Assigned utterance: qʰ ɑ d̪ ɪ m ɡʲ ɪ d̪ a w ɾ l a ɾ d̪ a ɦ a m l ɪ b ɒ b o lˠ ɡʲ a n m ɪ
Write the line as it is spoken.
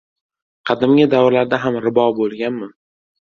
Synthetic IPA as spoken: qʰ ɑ d̪ ɪ m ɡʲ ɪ d̪ a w ɾ l a ɾ d̪ a ɦ a m ɾ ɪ b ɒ b o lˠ ɡʲ a n m ɪ